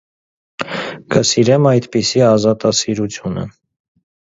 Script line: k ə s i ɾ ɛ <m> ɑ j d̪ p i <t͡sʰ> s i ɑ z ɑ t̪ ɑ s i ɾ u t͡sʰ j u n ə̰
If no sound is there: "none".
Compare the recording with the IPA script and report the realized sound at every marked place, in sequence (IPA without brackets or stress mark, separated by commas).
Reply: m, none